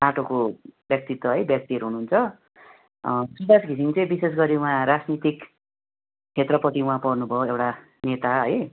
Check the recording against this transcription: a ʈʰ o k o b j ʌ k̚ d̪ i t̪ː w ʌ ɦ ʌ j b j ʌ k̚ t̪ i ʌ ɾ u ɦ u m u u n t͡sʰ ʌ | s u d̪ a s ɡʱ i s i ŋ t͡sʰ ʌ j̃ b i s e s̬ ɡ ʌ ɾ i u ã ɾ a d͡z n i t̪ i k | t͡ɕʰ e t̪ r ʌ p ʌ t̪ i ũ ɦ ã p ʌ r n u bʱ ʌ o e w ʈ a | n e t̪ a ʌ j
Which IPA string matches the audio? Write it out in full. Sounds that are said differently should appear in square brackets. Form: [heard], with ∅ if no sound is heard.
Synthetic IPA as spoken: a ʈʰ o k o b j ʌ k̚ [t̪] i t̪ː w ʌ ɦ ʌ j b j ʌ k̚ t̪ i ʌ ɾ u ɦ u [n] u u n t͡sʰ ʌ | s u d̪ a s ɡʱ i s i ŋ [t͡s] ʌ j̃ b i s e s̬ ɡ ʌ ɾ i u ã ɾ a d͡z n i t̪ i k | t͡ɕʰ e t̪ r ʌ p ʌ t̪ i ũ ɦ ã p ʌ r n u bʱ ʌ o e w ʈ a | n e t̪ a ʌ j